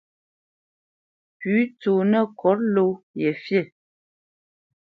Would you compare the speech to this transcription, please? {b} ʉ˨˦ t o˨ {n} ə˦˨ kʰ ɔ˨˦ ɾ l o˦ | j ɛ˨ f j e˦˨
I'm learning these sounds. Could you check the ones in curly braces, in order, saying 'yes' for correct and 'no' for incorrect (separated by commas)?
no, yes